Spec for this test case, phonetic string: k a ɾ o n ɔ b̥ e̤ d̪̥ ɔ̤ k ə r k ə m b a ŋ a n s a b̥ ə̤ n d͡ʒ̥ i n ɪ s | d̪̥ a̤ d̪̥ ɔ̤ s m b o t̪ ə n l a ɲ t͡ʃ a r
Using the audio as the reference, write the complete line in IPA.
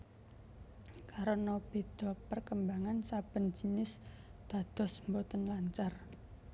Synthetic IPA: k a ɾ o n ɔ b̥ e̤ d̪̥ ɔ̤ p ə r k ə m b a ŋ a n s a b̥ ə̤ n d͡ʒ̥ i n ɪ s | d̪̥ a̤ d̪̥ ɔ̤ s m b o t̪ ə n l a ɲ t͡ʃ a r